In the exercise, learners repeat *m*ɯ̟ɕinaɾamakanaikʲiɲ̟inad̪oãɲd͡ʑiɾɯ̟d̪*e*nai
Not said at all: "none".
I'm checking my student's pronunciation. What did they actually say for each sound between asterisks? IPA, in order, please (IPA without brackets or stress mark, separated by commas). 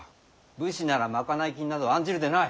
b, e